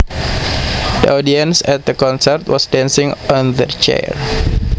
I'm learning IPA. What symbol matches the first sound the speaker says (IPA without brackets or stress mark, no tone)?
d